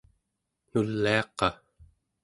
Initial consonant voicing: voiced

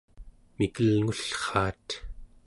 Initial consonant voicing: voiced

